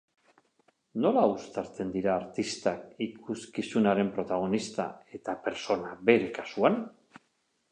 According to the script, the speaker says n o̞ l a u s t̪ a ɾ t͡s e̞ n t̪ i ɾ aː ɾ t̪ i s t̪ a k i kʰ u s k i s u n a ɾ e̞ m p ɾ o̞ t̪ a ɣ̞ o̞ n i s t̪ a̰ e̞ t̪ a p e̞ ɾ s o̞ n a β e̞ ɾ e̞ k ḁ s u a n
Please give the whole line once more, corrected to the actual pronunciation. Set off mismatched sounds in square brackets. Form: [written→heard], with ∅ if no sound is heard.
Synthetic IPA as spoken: n o̞ l a u s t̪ a ɾ t͡s e̞ n [t̪→d̪] i ɾ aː ɾ t̪ i s t̪ a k i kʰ u s k i s u n a ɾ e̞ m p ɾ o̞ t̪ a ɣ̞ o̞ n i s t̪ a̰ e̞ t̪ a p e̞ ɾ s o̞ n a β e̞ ɾ e̞ k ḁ s u a n

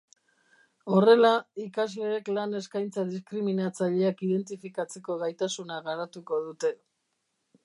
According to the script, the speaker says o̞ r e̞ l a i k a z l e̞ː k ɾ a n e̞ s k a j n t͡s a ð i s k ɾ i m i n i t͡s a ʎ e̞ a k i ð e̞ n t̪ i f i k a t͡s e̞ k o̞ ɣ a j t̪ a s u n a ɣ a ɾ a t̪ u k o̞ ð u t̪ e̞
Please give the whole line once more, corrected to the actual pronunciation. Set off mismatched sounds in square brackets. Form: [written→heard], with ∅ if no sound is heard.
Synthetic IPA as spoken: o̞ r e̞ l a i k a z l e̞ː k [ɾ→l] a n e̞ s k a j n t͡s a ð i s k ɾ i m i n [i→a] t͡s a ʎ e̞ a k i ð e̞ n t̪ i f i k a t͡s e̞ k o̞ ɣ a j t̪ a s u n a ɣ a ɾ a t̪ u k o̞ ð u t̪ e̞

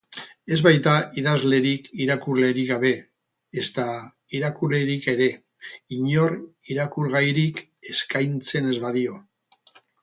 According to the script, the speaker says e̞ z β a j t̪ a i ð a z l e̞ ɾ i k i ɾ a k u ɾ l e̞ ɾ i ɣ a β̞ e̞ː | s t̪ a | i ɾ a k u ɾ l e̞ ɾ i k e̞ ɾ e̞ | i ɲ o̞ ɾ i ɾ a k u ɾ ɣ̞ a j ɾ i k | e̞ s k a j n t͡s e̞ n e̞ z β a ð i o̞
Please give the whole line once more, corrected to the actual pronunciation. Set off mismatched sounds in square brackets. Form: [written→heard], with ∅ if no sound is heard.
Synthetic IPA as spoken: e̞ z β a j t̪ a i ð a z l e̞ ɾ i k i ɾ a k u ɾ l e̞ ɾ i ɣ a β̞ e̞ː | s t̪ a | i ɾ a k u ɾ l e̞ ɾ i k e̞ ɾ e̞ | i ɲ o̞ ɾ i ɾ a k u ɾ ɣ̞ a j ɾ i k | e̞ s k a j n t͡s e̞ n e̞ z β a ð i o̞

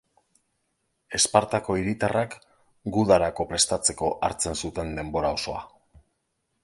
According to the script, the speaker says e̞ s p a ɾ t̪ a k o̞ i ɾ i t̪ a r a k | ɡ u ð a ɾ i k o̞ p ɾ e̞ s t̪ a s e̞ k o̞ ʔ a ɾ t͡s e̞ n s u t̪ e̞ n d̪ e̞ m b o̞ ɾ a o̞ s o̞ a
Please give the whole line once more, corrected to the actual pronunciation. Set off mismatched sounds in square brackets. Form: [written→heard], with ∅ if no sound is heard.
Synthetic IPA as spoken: e̞ s p a ɾ t̪ a k o̞ i ɾ i t̪ a r a k | ɡ u ð a ɾ [i→a] k o̞ p ɾ e̞ s t̪ a [s→t͡s] e̞ k o̞ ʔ a ɾ t͡s e̞ n s u t̪ e̞ n d̪ e̞ m b o̞ ɾ a o̞ s o̞ a

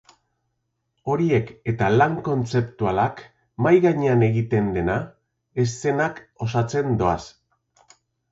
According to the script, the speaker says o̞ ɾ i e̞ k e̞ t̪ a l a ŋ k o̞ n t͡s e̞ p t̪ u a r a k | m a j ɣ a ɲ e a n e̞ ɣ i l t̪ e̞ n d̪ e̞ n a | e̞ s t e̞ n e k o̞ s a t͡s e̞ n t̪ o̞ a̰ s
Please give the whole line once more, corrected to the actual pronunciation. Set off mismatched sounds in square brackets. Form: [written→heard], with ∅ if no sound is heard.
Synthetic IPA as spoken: o̞ ɾ i e̞ k e̞ t̪ a l a ŋ k o̞ n t͡s e̞ p t̪ u a [r→l] a k | m a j ɣ a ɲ e a n e̞ ɣ i [l→∅] t̪ e̞ n d̪ e̞ n a | e̞ s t e̞ n [e→a] k o̞ s a t͡s e̞ n [t̪→d̪] o̞ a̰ s

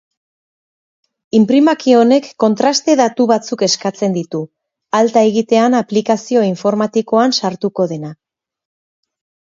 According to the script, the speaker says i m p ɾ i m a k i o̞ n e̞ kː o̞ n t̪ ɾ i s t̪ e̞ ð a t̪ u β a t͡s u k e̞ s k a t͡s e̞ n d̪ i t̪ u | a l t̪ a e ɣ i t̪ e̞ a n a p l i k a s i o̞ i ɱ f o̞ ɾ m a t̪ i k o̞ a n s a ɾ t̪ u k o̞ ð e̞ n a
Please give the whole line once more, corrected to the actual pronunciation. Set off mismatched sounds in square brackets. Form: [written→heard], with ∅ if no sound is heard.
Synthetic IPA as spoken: i m p ɾ i m a k i o̞ n e̞ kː o̞ n t̪ ɾ [i→a] s t̪ e̞ ð a t̪ u β a t͡s u k e̞ s k a t͡s e̞ n d̪ i t̪ u | a l t̪ a e ɣ i t̪ e̞ a n a p l i k a s i o̞ i ɱ f o̞ ɾ m a t̪ i k o̞ a n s a ɾ t̪ u k o̞ ð e̞ n a

